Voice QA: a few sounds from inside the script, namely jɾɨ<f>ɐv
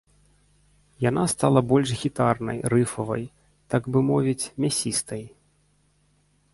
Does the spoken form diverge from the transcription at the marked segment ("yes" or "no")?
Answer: no